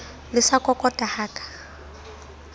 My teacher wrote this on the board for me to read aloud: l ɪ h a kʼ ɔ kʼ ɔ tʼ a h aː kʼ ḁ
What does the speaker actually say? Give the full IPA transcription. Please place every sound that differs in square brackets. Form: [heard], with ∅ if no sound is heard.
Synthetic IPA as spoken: l ɪ [s] a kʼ ɔ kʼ ɔ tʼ a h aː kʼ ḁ